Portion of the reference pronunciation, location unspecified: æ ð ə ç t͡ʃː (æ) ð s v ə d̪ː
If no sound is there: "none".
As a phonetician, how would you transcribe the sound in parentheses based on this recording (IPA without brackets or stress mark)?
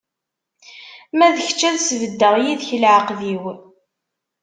æ